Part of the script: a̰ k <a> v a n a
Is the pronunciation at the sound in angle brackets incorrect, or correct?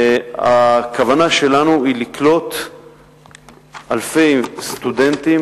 correct